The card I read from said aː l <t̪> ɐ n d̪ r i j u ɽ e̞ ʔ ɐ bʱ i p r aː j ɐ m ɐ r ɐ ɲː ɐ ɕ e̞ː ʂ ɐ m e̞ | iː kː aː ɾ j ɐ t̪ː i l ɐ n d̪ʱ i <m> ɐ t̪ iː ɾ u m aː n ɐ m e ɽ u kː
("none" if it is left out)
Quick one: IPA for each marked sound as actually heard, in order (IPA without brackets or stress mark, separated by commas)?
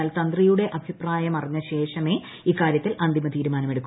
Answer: t̪, m